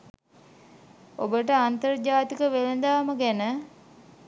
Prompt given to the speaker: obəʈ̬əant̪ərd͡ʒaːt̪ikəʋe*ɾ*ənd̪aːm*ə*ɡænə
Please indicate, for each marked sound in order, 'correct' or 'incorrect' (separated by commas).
incorrect, correct